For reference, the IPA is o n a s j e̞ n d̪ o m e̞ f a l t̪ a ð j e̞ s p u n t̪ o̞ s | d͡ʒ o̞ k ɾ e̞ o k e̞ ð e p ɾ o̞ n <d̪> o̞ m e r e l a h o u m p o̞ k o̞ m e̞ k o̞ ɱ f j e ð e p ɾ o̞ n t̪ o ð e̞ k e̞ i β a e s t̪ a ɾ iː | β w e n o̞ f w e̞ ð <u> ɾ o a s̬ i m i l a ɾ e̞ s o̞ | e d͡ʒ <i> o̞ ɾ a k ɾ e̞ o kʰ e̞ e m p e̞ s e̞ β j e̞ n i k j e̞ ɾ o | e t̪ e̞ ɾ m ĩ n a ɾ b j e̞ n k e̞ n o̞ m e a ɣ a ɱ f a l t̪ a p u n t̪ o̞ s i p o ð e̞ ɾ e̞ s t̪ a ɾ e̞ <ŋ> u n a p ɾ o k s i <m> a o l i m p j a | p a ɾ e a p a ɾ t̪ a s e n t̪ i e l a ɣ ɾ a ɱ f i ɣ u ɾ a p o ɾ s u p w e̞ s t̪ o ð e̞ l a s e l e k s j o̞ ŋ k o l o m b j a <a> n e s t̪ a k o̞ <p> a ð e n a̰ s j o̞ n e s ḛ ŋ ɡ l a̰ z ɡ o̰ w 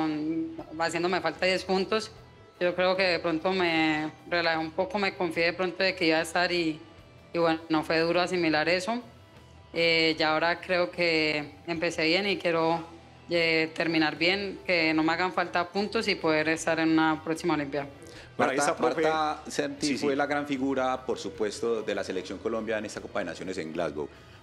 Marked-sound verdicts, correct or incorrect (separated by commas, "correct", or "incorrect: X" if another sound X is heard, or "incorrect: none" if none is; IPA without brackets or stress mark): incorrect: t̪, correct, incorrect: a, incorrect: n, correct, incorrect: e, correct